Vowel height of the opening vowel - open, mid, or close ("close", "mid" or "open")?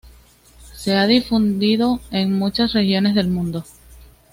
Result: mid